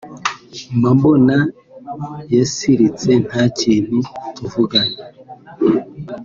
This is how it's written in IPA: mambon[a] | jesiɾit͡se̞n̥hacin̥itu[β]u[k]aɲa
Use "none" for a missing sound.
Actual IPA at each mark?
a, v, ɡ

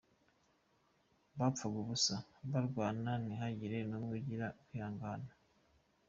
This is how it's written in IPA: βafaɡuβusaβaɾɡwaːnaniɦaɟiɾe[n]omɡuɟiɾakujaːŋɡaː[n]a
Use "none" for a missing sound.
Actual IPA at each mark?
n, n

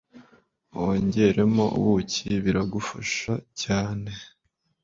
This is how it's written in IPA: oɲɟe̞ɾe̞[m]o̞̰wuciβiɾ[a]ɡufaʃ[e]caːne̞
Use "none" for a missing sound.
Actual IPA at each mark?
m, a, a

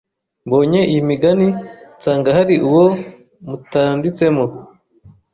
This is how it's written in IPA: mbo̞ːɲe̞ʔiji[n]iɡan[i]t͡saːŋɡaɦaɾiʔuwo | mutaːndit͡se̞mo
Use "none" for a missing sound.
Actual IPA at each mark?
m, i

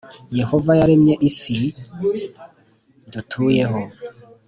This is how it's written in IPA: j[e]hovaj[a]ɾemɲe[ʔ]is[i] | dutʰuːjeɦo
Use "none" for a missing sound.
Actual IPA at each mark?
e, a, ʔ, i

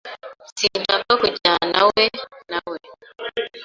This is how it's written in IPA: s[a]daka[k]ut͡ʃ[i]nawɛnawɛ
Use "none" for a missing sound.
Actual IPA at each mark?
i, k, a

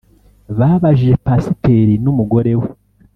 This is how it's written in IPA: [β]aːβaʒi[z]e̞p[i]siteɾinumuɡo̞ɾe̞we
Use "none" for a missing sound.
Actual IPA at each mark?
β, ʒ, a

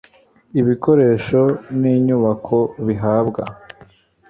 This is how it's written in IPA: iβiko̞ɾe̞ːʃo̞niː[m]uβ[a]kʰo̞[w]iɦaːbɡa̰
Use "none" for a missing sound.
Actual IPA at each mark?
ɲ, a, β

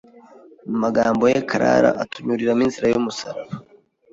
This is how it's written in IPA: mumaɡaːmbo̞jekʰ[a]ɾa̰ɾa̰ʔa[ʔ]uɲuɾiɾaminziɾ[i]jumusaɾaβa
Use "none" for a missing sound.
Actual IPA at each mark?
a, t, a

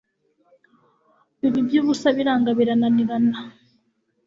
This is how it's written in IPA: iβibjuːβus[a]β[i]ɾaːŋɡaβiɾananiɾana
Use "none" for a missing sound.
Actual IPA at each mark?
a, i

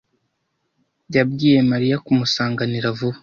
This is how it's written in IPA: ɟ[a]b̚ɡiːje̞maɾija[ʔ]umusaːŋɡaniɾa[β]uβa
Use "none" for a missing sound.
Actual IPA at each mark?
a, k, v

